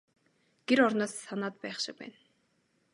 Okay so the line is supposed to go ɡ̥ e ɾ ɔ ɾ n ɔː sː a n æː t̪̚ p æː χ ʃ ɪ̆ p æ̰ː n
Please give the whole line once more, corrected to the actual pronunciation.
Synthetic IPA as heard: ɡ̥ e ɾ ɔ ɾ n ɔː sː a n aː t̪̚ p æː χ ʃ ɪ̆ p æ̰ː n